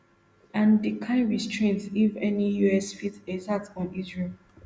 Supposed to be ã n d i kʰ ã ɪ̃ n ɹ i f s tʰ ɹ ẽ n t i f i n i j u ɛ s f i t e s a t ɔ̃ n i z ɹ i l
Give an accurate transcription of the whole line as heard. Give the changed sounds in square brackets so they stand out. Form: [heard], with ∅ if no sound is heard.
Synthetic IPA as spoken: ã n d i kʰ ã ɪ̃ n ɹ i [∅] s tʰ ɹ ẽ n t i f [ɛ] n i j u ɛ s f i t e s a t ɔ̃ n i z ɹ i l